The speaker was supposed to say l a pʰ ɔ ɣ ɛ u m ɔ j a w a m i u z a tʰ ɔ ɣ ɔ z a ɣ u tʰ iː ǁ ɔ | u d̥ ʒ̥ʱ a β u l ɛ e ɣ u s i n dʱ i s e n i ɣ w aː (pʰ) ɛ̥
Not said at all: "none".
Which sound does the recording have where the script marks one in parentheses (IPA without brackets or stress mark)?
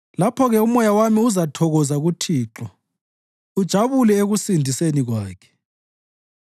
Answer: kʰ